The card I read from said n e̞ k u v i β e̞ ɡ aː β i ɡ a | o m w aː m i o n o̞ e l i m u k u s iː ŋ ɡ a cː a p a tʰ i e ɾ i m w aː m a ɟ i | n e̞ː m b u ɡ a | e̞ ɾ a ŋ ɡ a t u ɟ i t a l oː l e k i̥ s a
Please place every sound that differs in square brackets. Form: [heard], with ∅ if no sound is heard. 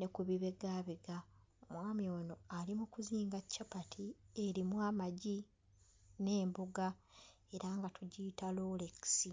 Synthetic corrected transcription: n e̞ k u [β] i β e̞ ɡ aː β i ɡ a | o m w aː m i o n o̞ [a] l i m u k u [z] iː ŋ ɡ a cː a p a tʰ i e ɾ i m w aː m a ɟ i | n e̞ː m b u ɡ a | e̞ ɾ a ŋ ɡ a t u ɟ i t a l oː l e k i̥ s [i]